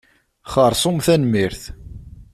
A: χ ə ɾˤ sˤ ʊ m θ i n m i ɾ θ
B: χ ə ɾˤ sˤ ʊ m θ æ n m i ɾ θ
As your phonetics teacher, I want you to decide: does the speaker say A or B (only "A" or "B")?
B